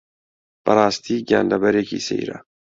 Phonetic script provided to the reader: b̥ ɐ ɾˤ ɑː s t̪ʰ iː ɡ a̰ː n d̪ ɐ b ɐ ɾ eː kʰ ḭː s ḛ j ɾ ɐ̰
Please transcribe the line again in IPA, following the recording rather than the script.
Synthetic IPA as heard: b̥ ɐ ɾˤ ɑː s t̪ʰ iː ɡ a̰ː n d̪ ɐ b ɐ ɾ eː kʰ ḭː s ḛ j ɾ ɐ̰